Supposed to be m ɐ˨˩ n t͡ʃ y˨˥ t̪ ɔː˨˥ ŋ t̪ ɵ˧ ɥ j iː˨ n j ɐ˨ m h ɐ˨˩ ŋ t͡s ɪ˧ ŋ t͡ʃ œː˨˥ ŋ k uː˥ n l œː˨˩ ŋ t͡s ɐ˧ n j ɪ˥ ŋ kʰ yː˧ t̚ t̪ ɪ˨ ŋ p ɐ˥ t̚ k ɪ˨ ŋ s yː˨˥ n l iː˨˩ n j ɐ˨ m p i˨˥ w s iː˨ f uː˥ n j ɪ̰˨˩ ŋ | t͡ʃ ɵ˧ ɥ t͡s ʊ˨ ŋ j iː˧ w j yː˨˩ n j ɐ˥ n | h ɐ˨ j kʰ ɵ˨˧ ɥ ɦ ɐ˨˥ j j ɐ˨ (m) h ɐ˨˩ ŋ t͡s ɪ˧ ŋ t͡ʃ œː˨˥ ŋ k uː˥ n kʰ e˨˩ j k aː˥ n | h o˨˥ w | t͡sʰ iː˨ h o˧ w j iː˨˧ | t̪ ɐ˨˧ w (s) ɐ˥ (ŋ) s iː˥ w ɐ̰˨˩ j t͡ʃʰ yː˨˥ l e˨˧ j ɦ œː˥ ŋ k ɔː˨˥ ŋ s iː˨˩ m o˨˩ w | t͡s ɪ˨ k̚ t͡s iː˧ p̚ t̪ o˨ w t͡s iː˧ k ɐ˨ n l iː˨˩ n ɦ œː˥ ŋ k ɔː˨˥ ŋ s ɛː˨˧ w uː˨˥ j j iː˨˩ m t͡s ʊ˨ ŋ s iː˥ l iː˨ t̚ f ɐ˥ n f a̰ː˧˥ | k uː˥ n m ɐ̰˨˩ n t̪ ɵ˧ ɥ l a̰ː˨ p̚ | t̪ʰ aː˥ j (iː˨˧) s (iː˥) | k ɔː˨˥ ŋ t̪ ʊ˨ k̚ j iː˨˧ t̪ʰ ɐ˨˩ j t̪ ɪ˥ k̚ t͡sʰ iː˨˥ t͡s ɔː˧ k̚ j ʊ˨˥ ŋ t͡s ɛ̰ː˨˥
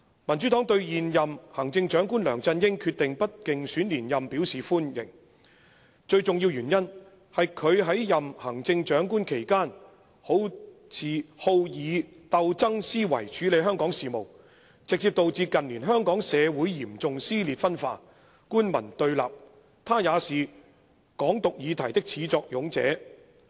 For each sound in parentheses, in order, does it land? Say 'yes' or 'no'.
yes, no, yes, no, no

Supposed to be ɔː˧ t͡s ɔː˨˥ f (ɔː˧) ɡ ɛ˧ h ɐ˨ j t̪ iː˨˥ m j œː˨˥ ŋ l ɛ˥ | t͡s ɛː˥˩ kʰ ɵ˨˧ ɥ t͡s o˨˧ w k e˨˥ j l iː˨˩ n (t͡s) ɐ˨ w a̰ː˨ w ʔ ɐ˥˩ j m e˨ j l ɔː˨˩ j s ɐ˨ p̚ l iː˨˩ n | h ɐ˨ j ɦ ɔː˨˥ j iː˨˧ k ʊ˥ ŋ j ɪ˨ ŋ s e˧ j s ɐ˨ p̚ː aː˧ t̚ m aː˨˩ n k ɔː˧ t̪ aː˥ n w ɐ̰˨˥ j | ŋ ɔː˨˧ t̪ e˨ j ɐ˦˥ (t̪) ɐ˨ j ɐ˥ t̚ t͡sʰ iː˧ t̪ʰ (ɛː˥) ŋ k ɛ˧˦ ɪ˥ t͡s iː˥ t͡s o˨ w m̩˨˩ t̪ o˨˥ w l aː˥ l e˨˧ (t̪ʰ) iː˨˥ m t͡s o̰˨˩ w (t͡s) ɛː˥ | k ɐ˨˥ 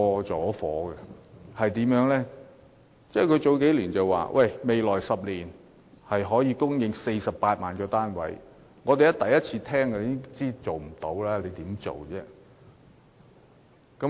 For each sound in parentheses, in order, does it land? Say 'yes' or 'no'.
no, yes, yes, yes, no, yes

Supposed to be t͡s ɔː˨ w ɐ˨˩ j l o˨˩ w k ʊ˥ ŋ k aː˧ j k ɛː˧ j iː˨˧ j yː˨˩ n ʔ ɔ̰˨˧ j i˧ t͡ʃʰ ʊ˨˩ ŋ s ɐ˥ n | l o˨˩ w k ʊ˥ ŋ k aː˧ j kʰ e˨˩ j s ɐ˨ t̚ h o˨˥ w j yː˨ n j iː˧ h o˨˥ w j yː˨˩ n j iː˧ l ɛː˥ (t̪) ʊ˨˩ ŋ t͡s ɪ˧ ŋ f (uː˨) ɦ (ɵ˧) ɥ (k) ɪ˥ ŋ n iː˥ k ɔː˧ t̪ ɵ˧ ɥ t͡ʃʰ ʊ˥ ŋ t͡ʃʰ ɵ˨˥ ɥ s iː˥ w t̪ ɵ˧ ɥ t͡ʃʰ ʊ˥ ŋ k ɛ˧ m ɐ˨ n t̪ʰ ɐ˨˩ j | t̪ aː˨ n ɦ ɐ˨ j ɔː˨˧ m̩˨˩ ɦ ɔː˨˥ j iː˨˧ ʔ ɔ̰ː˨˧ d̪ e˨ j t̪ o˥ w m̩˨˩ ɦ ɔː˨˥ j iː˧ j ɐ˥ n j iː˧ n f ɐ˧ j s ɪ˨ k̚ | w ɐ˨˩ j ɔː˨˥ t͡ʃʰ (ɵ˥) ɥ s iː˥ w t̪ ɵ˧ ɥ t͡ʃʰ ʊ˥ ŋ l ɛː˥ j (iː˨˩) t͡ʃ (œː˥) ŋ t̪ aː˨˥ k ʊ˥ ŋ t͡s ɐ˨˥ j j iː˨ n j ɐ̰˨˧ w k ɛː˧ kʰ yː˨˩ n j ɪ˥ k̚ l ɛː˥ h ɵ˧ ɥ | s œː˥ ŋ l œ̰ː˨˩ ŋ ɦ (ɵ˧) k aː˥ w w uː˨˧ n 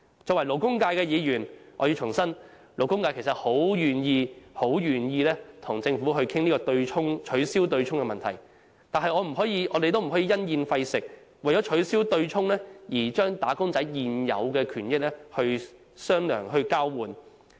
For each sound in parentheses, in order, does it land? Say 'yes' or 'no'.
no, no, yes, no, no, yes, yes, yes

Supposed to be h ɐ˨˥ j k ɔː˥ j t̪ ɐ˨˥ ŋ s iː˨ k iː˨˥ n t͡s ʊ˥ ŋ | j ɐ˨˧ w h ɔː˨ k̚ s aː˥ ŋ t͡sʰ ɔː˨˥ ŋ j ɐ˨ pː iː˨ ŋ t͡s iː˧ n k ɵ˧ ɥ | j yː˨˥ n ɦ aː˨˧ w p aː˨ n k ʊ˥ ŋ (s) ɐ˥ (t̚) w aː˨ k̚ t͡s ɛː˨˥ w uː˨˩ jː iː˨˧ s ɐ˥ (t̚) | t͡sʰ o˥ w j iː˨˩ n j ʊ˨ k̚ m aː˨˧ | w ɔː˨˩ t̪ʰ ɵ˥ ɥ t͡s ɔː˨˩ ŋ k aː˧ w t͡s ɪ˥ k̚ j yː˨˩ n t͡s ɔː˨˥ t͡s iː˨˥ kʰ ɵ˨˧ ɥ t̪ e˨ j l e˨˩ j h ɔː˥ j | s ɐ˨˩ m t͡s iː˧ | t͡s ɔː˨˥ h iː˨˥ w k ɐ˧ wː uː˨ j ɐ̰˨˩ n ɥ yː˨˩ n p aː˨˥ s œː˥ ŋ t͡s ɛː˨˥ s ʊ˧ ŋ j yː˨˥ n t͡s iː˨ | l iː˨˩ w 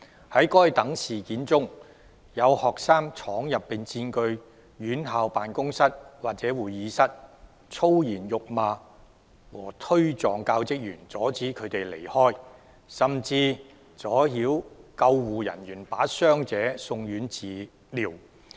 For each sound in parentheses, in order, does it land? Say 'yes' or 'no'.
yes, yes, yes

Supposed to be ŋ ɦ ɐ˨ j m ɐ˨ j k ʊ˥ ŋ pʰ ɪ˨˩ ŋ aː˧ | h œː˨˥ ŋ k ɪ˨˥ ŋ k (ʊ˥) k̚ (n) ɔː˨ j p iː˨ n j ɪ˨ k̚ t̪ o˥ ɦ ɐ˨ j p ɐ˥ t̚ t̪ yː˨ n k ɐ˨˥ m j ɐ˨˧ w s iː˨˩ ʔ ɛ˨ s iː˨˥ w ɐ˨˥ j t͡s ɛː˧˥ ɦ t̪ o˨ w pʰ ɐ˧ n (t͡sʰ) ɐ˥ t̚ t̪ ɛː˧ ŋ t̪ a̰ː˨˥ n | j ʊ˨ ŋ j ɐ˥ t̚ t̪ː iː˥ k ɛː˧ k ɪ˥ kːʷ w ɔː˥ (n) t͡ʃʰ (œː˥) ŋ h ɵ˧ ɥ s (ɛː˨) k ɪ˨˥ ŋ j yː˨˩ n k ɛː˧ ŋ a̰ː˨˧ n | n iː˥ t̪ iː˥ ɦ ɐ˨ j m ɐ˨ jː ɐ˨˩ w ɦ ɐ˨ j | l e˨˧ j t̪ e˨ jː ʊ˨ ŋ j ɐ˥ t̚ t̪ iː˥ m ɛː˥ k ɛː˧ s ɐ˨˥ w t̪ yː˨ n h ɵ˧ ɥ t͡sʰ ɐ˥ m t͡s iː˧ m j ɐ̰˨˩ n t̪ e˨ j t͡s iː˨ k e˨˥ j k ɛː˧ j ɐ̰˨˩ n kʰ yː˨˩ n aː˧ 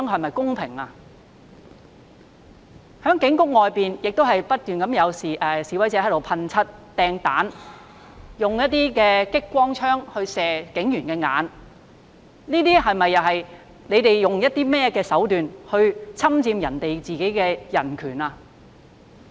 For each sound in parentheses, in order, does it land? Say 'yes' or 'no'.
yes, no, yes, no, yes, yes

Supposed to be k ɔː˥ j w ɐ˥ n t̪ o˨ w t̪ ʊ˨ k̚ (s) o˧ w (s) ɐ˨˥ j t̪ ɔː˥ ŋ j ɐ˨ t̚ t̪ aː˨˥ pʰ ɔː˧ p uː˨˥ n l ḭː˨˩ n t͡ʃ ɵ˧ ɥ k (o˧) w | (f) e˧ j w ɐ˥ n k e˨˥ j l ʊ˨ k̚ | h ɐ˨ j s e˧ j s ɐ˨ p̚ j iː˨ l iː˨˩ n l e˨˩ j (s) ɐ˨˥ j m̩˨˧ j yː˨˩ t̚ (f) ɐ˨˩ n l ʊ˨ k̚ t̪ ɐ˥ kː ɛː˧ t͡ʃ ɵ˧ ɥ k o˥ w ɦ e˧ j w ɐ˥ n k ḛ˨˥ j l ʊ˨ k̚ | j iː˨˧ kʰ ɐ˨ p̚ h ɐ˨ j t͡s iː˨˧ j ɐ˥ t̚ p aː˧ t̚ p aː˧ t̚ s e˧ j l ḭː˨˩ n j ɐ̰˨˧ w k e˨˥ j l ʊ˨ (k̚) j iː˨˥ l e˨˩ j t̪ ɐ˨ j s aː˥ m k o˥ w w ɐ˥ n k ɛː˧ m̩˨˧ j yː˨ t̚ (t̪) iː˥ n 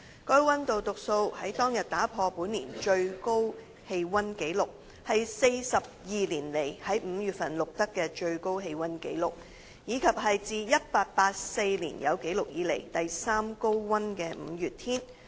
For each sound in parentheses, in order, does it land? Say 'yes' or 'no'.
yes, no, no, no, no, yes, yes, no

